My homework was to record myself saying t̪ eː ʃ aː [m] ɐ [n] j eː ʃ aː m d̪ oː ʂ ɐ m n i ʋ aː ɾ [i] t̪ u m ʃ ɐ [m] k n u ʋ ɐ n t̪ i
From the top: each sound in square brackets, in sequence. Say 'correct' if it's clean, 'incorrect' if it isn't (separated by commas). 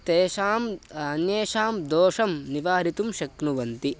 correct, correct, correct, incorrect